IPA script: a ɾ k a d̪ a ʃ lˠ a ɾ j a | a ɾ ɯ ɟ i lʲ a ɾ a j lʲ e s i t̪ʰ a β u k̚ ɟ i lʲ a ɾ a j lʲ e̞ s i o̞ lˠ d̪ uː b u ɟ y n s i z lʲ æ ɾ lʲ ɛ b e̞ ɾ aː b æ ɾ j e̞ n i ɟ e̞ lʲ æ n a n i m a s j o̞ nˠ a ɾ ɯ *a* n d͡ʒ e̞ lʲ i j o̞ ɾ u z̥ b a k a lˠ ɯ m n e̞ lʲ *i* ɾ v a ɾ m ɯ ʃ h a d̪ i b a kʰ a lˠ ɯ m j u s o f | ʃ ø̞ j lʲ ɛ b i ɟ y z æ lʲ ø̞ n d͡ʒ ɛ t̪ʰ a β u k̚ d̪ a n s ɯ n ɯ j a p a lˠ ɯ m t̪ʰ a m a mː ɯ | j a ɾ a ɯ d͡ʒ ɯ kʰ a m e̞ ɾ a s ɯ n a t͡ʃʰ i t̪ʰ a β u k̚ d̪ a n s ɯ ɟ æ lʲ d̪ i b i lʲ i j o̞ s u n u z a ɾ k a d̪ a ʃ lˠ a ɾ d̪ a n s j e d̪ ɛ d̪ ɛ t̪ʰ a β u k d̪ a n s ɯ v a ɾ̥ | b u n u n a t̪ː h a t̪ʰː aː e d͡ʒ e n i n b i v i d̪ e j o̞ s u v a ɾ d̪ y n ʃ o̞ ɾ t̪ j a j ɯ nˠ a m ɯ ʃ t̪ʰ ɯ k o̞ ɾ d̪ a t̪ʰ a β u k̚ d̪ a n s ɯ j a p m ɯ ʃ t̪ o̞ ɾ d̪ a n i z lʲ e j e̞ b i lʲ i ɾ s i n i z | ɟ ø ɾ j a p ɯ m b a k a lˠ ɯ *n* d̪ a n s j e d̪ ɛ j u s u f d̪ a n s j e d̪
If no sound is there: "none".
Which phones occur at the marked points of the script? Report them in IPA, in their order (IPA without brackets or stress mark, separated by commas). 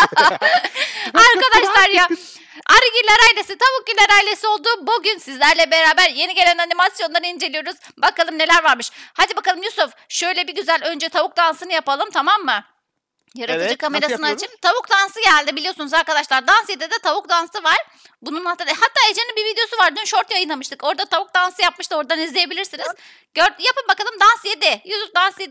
i, æ, m